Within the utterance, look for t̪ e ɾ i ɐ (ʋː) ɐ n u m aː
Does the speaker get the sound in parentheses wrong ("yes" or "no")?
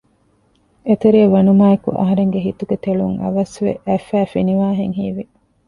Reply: yes